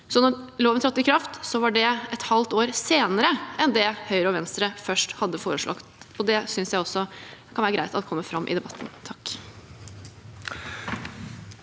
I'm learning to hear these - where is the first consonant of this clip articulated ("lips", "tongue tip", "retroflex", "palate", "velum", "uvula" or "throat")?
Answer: tongue tip